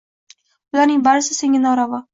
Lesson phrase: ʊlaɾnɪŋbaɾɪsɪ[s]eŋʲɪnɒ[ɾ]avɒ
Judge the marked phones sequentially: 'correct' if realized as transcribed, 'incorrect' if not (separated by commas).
correct, correct